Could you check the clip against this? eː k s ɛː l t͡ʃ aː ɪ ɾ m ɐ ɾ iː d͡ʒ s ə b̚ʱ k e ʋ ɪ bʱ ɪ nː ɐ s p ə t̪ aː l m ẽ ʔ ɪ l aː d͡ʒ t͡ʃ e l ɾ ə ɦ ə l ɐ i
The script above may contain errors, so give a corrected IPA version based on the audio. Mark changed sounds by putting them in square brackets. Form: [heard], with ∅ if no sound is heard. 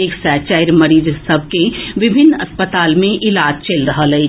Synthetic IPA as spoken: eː k s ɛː [∅] t͡ʃ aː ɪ ɾ m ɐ ɾ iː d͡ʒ s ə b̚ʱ k e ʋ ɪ bʱ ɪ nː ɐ s p ə t̪ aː l m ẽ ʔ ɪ l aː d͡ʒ t͡ʃ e l ɾ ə ɦ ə l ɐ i